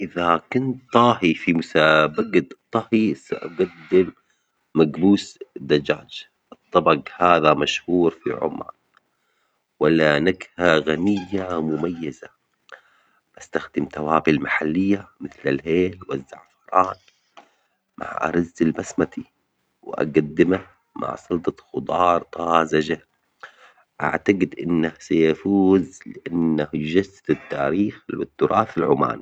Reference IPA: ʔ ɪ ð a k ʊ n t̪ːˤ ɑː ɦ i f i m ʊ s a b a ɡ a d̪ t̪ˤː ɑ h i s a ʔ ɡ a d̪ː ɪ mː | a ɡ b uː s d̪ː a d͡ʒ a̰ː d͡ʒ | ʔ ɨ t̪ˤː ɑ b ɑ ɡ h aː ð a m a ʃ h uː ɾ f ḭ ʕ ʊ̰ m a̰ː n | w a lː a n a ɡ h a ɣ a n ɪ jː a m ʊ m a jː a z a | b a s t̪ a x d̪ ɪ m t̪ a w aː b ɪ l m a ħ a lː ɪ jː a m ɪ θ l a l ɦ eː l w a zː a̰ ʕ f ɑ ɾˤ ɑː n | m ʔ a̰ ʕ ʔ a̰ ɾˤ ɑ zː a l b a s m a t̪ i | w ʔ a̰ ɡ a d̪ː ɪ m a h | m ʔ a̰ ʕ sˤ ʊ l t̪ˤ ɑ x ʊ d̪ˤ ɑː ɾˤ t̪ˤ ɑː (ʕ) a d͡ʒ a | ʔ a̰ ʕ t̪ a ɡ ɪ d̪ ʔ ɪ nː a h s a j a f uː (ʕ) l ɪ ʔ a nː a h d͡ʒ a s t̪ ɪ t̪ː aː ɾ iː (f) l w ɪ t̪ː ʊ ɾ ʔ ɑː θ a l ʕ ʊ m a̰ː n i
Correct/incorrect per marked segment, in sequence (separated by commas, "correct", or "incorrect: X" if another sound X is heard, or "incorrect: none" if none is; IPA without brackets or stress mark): incorrect: z, incorrect: z, incorrect: x